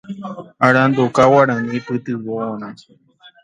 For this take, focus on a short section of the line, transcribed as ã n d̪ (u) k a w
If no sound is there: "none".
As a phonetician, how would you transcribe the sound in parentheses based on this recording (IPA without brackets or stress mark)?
o